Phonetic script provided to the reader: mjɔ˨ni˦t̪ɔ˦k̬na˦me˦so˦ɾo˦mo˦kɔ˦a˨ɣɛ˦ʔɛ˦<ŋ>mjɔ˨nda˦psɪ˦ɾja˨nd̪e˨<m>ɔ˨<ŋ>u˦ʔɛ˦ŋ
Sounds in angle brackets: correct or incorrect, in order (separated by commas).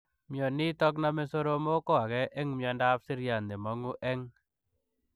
correct, correct, correct